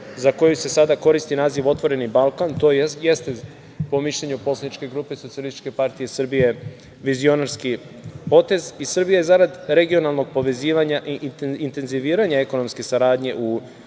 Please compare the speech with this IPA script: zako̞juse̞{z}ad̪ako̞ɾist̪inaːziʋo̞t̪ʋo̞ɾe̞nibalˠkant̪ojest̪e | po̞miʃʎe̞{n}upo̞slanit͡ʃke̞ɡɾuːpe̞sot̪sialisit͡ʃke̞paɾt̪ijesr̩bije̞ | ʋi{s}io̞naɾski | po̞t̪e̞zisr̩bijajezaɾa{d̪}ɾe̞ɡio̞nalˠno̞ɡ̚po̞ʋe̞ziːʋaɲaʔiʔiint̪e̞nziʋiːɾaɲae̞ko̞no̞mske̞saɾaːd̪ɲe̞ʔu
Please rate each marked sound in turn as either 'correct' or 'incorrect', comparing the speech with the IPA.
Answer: incorrect, incorrect, incorrect, correct

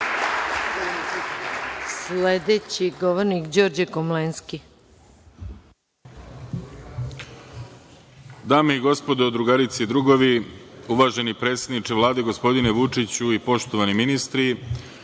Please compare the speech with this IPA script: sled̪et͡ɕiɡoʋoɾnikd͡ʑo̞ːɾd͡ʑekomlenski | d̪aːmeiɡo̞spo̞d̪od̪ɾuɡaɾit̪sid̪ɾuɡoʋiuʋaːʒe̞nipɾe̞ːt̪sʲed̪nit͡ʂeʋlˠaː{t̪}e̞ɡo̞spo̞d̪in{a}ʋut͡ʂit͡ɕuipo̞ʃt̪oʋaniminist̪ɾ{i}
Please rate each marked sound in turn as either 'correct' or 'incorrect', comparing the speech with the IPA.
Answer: incorrect, incorrect, correct

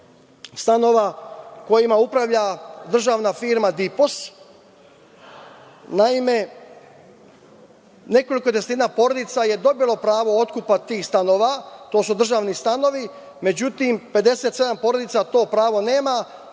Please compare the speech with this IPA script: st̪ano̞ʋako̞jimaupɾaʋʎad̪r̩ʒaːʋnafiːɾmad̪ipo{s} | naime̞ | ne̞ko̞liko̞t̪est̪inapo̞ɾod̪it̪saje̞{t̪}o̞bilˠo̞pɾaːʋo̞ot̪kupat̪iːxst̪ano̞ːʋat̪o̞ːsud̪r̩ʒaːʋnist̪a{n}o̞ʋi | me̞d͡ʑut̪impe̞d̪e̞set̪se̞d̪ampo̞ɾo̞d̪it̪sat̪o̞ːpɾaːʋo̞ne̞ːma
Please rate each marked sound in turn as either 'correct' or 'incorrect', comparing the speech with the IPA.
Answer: correct, incorrect, correct

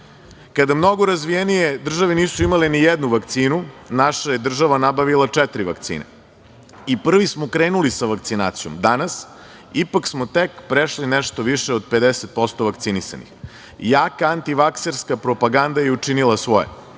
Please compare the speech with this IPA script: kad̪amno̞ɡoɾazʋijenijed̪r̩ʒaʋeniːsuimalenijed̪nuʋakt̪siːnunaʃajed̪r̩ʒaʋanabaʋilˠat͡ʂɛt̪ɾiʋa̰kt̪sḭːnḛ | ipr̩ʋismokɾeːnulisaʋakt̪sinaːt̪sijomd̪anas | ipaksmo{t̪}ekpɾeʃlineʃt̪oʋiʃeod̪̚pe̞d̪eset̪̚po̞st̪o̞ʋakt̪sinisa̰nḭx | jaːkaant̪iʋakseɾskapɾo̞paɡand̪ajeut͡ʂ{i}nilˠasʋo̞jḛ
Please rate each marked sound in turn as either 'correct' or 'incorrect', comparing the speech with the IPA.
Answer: correct, correct

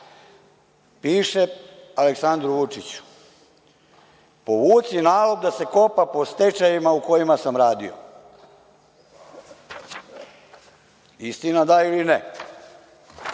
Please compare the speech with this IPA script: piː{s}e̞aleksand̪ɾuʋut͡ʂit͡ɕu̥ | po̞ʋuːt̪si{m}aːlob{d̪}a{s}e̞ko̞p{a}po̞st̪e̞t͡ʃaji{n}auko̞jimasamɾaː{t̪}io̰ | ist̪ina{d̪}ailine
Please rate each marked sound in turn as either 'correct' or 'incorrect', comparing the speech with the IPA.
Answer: incorrect, incorrect, correct, correct, correct, incorrect, incorrect, correct

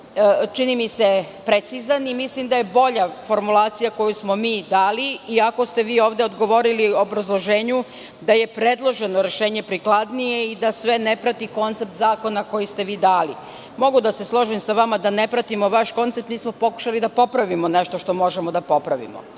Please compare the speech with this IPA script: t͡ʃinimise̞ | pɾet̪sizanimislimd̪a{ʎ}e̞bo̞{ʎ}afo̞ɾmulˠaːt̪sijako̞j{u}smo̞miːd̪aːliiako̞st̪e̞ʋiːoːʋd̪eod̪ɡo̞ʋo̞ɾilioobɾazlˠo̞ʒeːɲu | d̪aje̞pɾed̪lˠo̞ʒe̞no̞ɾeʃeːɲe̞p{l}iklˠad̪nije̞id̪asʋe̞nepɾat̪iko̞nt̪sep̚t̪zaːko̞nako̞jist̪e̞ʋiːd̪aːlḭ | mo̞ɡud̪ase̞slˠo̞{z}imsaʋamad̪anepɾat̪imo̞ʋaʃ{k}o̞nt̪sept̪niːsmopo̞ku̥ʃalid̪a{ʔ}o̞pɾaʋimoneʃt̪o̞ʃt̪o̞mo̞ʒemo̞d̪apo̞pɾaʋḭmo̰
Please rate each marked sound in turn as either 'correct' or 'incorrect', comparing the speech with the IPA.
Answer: incorrect, correct, correct, incorrect, incorrect, correct, incorrect

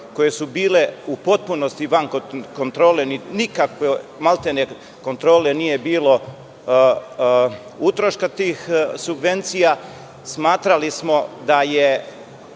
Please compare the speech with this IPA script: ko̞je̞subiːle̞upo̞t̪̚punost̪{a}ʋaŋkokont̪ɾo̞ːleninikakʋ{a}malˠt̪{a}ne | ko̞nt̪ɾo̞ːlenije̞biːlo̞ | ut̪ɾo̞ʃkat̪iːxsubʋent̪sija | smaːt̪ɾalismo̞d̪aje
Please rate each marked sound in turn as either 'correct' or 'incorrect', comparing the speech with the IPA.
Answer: incorrect, incorrect, incorrect

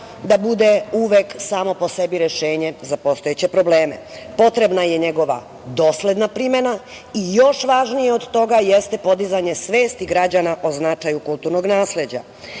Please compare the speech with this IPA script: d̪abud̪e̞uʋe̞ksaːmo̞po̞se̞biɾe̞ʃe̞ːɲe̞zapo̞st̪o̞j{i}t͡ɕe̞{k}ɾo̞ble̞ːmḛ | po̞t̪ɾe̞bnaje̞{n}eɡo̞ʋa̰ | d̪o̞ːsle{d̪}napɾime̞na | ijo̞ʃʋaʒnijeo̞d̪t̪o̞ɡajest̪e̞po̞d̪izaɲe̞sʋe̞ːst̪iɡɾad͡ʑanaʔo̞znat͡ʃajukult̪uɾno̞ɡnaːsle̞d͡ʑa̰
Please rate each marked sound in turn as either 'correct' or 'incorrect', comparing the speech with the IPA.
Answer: incorrect, incorrect, incorrect, correct

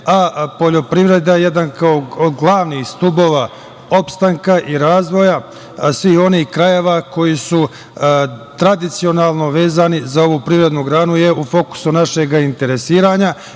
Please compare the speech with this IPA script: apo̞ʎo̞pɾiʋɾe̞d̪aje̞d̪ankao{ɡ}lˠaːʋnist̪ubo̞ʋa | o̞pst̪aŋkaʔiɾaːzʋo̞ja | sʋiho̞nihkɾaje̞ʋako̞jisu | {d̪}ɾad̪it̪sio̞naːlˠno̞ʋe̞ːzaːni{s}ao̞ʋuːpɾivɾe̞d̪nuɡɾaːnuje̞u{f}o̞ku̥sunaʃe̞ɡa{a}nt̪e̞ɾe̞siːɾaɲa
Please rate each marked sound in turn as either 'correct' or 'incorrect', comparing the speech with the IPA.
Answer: correct, incorrect, incorrect, correct, incorrect

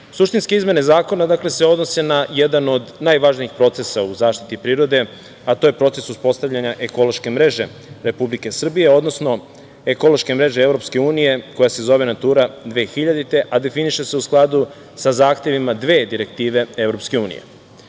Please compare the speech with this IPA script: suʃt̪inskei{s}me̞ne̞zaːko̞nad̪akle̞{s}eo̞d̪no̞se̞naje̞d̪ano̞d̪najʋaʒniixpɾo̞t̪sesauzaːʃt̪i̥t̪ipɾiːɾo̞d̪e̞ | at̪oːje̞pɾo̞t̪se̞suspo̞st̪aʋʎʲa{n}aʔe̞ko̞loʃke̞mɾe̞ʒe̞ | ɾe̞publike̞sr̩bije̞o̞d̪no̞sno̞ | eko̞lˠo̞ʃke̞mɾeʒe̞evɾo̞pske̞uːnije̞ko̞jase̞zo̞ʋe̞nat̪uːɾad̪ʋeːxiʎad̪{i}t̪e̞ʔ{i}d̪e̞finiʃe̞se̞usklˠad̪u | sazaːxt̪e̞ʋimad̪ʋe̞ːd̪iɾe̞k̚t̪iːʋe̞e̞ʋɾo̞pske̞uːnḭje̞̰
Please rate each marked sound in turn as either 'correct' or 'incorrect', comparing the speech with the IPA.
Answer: incorrect, correct, incorrect, correct, incorrect

